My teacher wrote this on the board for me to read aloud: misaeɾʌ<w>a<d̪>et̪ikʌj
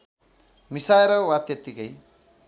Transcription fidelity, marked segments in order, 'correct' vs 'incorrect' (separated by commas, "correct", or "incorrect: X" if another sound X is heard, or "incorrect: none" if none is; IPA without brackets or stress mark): correct, incorrect: t̪